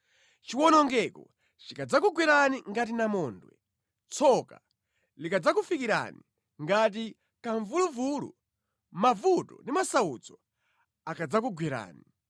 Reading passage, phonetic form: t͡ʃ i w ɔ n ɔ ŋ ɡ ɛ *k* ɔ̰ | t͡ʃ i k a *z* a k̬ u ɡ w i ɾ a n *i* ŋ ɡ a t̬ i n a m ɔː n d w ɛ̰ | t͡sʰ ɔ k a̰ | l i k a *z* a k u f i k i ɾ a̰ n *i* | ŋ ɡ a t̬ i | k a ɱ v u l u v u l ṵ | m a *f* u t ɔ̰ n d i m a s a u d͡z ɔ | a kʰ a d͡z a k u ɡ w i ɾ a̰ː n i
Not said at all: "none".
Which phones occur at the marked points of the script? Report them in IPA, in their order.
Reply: k, d͡z, i, d͡z, i, v

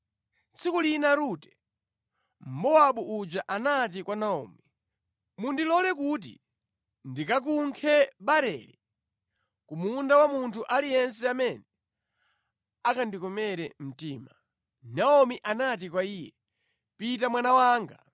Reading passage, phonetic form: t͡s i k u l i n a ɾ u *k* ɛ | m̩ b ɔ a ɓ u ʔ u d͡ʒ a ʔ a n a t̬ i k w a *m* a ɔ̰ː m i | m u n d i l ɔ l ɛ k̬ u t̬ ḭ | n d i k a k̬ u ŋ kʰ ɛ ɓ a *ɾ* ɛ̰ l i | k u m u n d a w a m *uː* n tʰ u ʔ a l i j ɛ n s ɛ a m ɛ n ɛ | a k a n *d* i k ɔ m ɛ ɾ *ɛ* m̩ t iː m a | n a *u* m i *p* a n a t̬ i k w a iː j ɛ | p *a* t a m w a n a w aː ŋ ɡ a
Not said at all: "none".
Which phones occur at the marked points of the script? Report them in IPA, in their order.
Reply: t, n, ɾ, u, d, ɛ, ɔ, ʔ, i

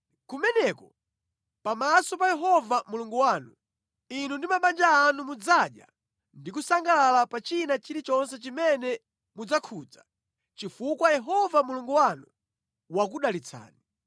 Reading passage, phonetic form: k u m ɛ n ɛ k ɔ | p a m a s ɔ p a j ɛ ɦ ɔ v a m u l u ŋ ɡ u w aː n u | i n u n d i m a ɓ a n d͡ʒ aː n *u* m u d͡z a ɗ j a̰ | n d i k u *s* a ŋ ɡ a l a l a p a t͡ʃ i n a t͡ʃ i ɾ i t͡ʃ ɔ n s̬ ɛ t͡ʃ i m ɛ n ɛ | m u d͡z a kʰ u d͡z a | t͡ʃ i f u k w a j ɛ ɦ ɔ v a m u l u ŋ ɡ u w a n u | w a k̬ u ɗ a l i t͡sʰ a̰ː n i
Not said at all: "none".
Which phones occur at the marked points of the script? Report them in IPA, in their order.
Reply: u, s

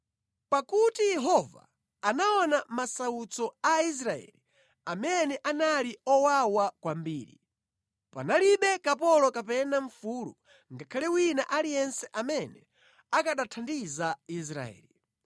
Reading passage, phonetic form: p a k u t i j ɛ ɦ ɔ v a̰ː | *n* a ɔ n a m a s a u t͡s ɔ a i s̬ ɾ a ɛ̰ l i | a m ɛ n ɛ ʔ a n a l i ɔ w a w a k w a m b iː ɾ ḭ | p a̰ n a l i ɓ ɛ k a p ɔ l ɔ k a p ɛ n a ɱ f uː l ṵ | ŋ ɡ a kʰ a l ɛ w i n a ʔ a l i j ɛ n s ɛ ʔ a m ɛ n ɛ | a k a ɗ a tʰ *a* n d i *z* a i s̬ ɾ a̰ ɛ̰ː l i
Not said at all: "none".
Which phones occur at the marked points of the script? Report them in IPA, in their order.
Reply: n, a, z

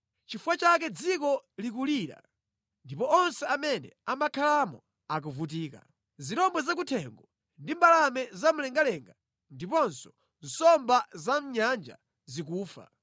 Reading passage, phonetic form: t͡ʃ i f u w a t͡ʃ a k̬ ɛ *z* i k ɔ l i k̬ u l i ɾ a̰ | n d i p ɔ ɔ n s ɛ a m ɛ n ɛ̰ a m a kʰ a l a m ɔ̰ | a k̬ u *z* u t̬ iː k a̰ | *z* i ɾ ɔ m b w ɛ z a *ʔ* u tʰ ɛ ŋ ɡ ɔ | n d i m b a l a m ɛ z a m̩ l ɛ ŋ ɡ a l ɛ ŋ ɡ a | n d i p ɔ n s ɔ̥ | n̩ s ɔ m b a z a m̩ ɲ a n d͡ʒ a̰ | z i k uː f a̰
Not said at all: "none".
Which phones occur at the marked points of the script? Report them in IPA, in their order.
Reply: d͡z, v, z, k

